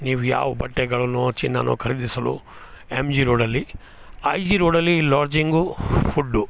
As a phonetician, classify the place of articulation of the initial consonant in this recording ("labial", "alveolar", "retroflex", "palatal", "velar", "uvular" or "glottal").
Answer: alveolar